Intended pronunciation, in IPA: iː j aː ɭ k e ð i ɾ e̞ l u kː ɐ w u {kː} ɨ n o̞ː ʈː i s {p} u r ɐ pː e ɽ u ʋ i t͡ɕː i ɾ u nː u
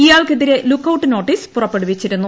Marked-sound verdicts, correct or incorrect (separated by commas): incorrect, correct